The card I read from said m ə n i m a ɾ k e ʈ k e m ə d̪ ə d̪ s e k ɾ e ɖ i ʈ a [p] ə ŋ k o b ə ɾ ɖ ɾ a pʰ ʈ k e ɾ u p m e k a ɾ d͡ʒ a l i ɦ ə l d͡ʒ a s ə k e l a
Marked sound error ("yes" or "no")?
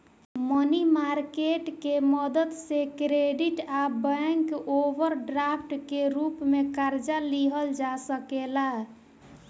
yes